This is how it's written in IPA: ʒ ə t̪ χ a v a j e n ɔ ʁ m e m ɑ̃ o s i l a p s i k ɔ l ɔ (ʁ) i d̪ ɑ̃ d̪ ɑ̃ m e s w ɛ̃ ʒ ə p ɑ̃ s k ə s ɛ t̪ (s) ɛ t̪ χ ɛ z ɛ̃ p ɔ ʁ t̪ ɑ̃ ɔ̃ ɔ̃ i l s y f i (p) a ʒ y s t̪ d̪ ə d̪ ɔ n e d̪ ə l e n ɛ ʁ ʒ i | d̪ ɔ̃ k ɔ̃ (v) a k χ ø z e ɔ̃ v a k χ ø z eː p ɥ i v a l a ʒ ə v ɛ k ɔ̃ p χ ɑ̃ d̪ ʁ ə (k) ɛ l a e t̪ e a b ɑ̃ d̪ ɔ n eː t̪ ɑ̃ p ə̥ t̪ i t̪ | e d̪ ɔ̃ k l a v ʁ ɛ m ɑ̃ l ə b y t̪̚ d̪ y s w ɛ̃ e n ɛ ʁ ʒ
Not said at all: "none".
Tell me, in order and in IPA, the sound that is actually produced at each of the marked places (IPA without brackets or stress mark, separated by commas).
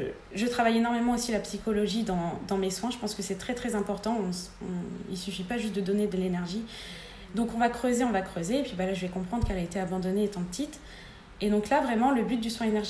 ʒ, χ, p, v, k